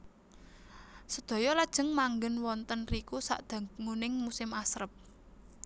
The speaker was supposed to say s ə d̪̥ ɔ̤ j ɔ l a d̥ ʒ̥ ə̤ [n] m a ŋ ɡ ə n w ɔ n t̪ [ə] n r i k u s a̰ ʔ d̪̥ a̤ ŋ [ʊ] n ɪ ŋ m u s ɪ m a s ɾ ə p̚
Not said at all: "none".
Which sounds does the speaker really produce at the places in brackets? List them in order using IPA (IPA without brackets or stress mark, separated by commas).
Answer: ŋ, ə, u